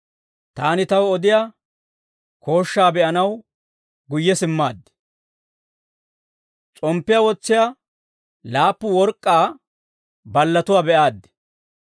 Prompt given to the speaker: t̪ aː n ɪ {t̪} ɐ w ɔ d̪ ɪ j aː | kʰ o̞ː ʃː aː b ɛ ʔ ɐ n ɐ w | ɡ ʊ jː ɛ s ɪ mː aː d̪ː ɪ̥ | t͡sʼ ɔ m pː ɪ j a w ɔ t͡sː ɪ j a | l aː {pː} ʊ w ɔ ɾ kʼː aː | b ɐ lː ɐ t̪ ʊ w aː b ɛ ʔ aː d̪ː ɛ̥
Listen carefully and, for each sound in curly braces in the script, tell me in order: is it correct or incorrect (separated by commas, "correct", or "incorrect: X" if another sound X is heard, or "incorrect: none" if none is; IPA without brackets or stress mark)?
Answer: correct, correct